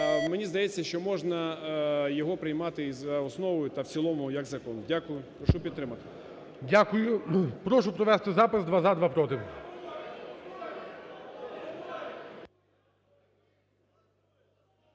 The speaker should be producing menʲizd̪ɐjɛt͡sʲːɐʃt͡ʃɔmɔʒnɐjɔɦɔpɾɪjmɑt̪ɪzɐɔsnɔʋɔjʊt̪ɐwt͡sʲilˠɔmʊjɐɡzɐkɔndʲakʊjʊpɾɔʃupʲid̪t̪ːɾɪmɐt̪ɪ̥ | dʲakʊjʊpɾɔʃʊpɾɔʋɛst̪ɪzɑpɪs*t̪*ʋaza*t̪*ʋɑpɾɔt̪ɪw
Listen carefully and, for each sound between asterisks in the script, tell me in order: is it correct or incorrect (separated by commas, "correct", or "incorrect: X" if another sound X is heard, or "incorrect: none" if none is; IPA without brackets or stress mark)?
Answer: incorrect: d̪, incorrect: d̪